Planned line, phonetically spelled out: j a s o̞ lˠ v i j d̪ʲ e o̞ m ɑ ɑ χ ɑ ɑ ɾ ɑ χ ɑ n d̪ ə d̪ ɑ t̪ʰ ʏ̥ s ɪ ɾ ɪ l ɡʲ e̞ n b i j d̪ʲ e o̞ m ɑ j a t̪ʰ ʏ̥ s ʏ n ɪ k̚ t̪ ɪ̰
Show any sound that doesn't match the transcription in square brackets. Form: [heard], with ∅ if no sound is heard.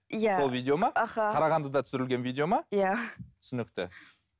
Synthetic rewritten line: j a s o̞ lˠ v i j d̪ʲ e o̞ m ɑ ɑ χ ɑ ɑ ɾ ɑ [ʁ] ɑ n d̪ ə d̪ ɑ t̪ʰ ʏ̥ s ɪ ɾ ɪ l ɡʲ e̞ n [v] i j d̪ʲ e o̞ m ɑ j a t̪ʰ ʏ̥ s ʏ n ɪ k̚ t̪ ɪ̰